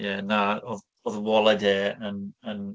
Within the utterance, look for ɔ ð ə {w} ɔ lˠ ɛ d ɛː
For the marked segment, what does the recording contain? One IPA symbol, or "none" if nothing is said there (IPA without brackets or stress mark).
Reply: w